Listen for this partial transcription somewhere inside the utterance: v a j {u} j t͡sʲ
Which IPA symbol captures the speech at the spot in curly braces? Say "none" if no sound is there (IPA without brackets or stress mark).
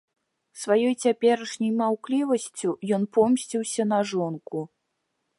ɔ